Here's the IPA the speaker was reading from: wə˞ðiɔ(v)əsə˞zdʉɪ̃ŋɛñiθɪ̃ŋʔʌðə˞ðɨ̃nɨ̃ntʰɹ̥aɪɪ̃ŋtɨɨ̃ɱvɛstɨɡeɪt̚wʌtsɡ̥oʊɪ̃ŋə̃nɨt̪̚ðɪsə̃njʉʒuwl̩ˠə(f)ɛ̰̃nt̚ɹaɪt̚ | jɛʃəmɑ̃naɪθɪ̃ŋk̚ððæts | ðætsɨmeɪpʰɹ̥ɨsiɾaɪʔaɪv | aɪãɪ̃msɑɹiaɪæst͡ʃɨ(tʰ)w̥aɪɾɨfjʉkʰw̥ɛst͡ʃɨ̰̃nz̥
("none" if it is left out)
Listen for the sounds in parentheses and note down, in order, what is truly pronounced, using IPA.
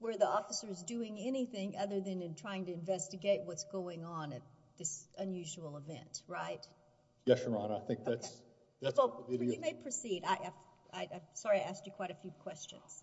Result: f, v, kʰ

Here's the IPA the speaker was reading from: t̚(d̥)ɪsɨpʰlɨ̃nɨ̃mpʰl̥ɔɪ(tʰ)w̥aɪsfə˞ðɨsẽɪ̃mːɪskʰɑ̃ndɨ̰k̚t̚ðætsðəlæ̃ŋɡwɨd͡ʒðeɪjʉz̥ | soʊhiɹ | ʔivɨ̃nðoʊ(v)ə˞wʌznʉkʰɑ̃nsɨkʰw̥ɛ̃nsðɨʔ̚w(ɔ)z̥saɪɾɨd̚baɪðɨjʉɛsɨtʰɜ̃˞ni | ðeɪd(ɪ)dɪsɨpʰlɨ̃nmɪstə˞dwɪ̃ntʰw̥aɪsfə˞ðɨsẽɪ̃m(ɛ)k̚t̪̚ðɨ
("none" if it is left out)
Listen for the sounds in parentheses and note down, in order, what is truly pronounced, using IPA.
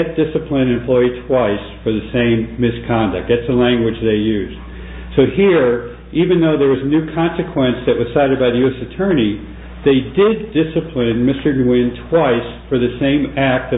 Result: d̥, tʰ, ð, ʌ, ɪ, æ

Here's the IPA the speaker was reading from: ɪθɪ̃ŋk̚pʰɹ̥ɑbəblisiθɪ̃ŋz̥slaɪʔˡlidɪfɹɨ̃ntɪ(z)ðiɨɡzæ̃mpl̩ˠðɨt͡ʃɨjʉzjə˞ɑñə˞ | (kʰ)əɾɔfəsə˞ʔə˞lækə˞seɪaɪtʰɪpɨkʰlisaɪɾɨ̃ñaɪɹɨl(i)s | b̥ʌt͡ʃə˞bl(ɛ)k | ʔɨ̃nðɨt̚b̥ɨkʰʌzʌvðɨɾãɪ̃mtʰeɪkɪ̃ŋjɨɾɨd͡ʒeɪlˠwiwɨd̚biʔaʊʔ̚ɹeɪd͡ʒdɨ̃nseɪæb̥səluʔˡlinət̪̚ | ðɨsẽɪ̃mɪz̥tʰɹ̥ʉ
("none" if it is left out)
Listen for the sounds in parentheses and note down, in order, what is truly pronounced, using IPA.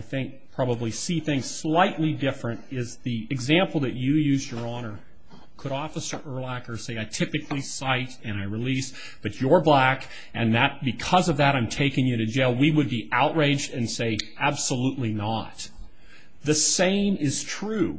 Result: z, kʰ, i, æ

